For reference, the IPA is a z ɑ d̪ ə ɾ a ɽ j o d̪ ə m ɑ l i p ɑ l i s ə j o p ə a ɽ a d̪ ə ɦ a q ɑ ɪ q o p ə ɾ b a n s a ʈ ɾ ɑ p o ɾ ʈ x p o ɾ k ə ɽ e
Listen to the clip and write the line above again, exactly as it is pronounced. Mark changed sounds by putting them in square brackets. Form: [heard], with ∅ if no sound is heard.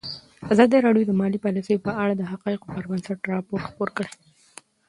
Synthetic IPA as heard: a z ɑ d̪ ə ɾ [ɑ] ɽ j o d̪ ə m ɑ l i p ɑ l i s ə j o p ə a ɽ a d̪ ə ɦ a q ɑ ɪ q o p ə ɾ b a n s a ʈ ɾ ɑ p o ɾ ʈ x p o ɾ k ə ɽ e